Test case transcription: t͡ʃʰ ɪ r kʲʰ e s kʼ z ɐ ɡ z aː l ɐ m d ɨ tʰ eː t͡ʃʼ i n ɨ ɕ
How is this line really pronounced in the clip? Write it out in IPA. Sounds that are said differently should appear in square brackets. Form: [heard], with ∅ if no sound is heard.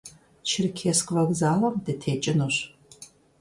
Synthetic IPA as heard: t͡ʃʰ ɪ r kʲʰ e s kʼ [v] ɐ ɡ z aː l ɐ m d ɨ tʰ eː t͡ʃʼ [ɪ] n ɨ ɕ